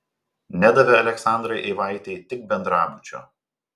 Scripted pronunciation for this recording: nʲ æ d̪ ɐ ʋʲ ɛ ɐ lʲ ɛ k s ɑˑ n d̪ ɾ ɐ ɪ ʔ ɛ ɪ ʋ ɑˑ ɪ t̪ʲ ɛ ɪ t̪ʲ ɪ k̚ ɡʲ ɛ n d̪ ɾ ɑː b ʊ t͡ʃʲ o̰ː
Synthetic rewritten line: nʲ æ d̪ ɐ ʋʲ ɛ ɐ lʲ ɛ k s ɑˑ n d̪ ɾ ɐ ɪ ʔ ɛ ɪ ʋ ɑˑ ɪ t̪ʲ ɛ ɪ t̪ʲ ɪ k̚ bʲ ɛ n d̪ ɾ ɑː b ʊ t͡ʃʲ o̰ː